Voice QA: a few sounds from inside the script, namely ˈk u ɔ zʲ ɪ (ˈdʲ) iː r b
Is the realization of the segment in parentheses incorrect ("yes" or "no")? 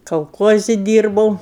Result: no